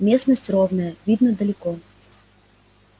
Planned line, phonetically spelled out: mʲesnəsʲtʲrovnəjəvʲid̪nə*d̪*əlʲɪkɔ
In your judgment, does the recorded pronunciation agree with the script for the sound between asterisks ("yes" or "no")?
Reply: yes